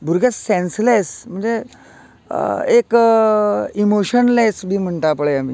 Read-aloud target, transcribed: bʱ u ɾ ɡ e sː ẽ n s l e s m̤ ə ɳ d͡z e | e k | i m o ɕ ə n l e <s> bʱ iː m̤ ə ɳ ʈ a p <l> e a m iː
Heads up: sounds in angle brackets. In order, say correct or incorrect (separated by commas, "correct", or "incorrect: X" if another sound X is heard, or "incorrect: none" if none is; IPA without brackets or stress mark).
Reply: correct, incorrect: ɭ